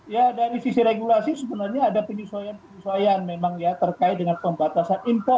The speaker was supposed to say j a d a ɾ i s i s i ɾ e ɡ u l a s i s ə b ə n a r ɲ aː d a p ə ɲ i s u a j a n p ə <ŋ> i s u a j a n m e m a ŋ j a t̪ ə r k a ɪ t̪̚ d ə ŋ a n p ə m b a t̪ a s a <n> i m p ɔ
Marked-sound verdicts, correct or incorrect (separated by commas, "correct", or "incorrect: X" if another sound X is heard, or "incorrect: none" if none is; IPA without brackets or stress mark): incorrect: ɲ, correct